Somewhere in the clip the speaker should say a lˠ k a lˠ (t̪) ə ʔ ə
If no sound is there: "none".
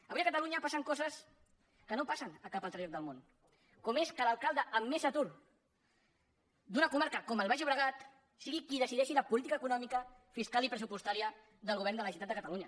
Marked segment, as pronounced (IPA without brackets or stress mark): d̪